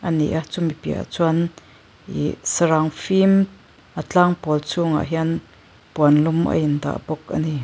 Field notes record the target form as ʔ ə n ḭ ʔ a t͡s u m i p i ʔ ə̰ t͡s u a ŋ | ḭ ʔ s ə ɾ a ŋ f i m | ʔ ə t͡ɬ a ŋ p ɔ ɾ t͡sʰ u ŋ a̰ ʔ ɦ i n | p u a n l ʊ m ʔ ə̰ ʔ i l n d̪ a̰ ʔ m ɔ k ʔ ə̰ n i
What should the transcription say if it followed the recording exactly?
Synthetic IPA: ʔ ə n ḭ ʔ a t͡s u m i p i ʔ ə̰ t͡s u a n | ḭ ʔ s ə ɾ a ŋ f i m | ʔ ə t͡ɬ a ŋ p ɔ l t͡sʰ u ŋ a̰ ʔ ɦ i n | p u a n l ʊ m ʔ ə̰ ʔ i n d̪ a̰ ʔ b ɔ k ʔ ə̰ n i